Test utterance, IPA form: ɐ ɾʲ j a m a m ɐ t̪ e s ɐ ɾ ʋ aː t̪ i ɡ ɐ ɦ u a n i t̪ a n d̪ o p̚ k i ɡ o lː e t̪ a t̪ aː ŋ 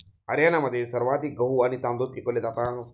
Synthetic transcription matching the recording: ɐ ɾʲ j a n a m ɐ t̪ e s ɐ ɾ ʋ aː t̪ i ɡ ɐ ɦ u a n i t̪ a n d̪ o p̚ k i k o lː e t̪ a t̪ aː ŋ